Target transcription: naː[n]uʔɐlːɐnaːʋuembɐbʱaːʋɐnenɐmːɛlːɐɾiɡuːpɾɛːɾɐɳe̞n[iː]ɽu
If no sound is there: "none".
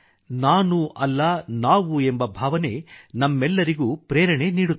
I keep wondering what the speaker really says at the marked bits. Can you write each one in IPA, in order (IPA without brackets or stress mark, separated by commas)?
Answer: n, iː